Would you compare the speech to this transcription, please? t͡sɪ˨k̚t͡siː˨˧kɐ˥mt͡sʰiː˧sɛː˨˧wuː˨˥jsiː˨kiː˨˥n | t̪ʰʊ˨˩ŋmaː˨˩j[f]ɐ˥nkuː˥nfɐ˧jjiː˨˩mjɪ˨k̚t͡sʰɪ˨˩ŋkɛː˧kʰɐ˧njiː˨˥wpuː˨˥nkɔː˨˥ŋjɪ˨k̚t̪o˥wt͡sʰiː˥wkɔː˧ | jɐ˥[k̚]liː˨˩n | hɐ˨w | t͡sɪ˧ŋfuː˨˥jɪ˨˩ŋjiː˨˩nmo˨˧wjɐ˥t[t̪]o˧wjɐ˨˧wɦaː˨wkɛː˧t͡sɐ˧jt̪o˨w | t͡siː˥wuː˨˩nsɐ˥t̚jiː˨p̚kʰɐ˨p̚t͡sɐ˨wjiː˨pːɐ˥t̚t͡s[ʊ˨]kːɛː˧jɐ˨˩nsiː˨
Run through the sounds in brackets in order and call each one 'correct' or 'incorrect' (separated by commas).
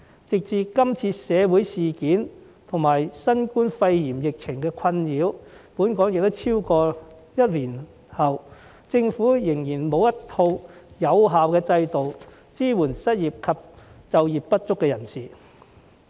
incorrect, incorrect, incorrect, incorrect